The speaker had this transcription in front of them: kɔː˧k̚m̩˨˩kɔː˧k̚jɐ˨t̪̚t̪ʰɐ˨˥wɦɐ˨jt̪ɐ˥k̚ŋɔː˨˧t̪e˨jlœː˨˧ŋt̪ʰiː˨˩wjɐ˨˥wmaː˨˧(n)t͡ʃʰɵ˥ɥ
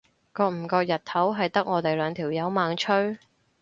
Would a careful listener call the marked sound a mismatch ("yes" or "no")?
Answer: yes